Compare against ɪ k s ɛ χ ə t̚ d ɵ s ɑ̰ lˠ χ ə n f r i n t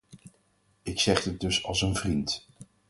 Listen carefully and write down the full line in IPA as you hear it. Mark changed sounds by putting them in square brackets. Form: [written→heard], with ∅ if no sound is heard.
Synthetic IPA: ɪ k s ɛ χ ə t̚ d ɵ s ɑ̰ lˠ [χ→s] ə n [f→v] r i n t